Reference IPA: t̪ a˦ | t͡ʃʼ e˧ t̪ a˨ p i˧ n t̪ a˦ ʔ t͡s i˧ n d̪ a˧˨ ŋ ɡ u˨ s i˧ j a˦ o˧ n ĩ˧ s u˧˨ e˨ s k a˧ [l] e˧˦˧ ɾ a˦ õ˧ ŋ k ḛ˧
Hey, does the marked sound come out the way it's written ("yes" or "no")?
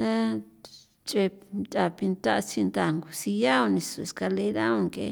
yes